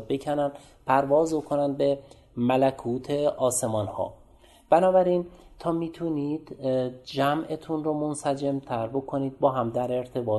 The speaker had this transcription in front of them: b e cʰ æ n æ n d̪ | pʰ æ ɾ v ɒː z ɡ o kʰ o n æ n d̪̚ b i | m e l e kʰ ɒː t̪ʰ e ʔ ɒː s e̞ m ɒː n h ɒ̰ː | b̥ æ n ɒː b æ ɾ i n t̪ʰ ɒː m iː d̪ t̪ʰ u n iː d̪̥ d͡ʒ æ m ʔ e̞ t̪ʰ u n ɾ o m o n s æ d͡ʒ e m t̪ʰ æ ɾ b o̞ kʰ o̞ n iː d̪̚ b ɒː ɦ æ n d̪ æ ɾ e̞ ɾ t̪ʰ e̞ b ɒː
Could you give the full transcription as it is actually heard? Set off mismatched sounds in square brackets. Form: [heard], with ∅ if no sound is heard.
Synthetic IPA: b e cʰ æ n æ n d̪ | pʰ æ ɾ v ɒː z [b] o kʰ o n æ n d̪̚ b [e] | m [æ] l [æ] kʰ [uː] t̪ʰ e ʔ ɒː s e̞ m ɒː n h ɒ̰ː | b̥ æ n ɒː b æ ɾ i n t̪ʰ ɒː m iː [∅] t̪ʰ u n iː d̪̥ d͡ʒ æ m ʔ e̞ t̪ʰ u n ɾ o m o n s æ d͡ʒ e m t̪ʰ æ ɾ b o̞ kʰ o̞ n iː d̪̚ b ɒː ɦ æ [m] d̪ æ ɾ e̞ ɾ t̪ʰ e̞ b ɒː